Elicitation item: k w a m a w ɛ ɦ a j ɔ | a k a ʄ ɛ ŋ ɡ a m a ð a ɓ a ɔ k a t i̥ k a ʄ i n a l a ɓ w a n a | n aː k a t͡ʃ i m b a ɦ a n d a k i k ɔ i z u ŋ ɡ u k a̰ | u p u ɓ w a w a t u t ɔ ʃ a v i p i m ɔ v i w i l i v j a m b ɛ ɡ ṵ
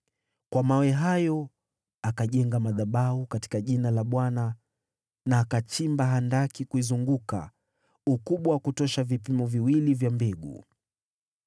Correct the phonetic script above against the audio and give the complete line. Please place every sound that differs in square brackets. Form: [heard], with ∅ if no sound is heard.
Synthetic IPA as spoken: k w a m a w ɛ ɦ a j ɔ | a k a ʄ ɛ ŋ ɡ a m a ð a ɓ a [u] k a t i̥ k a ʄ i n a l a ɓ w a n a | n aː k a t͡ʃ i m b a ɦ a n d a k i k [u] i z u ŋ ɡ u k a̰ | u [k] u ɓ w a w a [k] u t ɔ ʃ a v i p i m ɔ v i w i l i v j a m b ɛ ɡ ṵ